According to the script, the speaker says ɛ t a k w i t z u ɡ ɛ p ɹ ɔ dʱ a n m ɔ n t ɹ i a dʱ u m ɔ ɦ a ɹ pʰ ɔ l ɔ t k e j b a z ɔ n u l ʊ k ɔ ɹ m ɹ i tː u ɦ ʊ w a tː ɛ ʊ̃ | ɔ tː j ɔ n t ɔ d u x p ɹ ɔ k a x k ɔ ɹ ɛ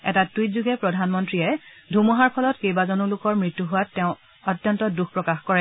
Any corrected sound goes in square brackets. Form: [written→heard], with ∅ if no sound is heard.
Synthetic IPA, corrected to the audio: ɛ t a [k→t] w i t z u ɡ ɛ p ɹ ɔ dʱ a n m ɔ n t ɹ i [a→ɛ] dʱ u m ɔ ɦ a ɹ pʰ ɔ l ɔ t k e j b a z ɔ n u l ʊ k ɔ ɹ m ɹ i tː u ɦ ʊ w a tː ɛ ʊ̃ | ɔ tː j ɔ n t ɔ d u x p ɹ ɔ k a x k ɔ ɹ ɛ